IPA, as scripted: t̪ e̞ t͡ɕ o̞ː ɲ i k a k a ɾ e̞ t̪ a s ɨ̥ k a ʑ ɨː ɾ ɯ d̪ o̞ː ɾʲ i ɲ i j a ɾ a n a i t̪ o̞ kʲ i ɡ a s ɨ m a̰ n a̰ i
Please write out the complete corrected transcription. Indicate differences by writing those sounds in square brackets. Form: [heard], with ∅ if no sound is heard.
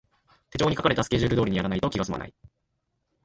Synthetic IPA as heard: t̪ e̞ t͡ɕ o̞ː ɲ i k a k a ɾ e̞ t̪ a s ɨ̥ k [e] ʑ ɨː ɾ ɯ d̪ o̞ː ɾʲ i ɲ i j a ɾ a n a i t̪ o̞ kʲ i ɡ a s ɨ m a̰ n a̰ i